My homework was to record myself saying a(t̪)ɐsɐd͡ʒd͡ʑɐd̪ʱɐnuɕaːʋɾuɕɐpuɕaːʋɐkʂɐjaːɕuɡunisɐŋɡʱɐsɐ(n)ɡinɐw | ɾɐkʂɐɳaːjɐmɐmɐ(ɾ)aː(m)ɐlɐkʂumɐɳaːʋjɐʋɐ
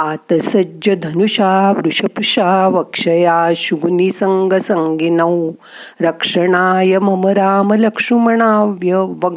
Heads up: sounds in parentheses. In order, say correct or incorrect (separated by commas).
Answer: correct, incorrect, correct, correct